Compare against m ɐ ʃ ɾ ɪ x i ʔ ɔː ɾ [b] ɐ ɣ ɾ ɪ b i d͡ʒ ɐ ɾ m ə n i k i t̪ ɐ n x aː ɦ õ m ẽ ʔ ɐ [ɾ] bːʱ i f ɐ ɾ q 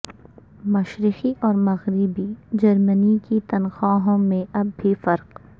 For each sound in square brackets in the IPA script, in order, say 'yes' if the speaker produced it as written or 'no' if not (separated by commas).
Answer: no, no